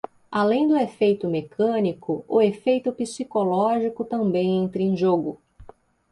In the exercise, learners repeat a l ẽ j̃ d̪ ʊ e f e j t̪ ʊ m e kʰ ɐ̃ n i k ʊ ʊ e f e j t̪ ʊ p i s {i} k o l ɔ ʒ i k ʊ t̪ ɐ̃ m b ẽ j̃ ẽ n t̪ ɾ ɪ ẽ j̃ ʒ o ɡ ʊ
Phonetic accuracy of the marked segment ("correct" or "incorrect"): correct